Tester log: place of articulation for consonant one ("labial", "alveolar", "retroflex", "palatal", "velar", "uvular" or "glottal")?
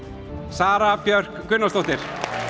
alveolar